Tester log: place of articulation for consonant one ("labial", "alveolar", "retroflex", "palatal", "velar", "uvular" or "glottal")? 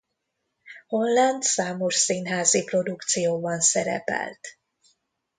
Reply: glottal